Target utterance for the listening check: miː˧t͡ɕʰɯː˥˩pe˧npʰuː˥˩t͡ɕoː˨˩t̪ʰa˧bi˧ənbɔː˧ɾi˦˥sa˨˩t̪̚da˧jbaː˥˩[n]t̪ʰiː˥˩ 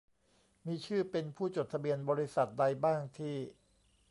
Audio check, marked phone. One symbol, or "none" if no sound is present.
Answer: ŋ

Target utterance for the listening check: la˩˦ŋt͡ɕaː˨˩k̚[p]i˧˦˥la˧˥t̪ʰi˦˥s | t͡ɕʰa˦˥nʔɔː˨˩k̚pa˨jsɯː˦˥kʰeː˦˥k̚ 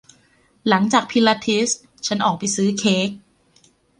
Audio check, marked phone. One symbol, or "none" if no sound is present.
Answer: pʰ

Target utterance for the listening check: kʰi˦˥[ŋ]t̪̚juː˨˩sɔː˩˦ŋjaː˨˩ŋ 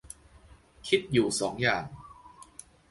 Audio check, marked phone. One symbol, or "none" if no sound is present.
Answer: none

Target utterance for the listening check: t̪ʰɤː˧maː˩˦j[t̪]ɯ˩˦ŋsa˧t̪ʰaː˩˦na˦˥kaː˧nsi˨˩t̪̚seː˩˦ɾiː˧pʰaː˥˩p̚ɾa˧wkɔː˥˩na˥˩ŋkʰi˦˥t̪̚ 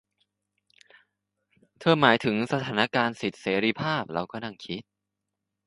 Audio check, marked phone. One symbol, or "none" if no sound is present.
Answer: t̪ʰ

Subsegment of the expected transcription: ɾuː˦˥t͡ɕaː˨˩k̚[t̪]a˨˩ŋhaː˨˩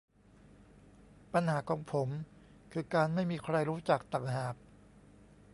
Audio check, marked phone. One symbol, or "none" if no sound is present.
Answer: t̪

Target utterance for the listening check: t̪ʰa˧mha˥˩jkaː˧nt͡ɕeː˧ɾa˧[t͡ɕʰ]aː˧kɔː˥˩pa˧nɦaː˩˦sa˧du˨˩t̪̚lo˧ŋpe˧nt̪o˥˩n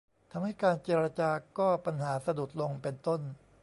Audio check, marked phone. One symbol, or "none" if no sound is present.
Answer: t͡ɕ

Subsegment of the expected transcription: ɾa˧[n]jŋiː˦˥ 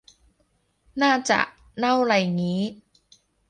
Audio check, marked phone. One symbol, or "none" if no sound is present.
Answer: none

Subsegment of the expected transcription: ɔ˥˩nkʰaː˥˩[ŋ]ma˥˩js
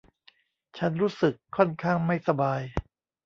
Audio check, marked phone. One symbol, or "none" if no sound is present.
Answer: ŋ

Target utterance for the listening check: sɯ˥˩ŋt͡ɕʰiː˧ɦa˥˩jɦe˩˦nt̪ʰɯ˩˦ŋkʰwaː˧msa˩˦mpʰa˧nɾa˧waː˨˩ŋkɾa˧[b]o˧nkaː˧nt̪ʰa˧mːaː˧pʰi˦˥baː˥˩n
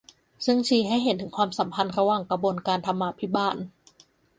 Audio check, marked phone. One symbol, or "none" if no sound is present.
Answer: b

